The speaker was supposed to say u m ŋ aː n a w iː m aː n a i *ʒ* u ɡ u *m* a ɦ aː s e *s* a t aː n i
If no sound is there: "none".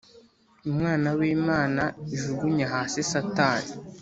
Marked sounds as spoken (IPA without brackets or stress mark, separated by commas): ʒ, ɲ, s